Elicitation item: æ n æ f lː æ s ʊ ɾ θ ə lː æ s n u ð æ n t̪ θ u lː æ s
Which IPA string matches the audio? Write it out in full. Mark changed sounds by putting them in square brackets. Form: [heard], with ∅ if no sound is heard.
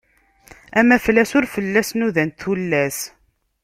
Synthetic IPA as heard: æ [m] æ f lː æ s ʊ ɾ [f] ə lː æ s n u ð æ n t̪ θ u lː æ s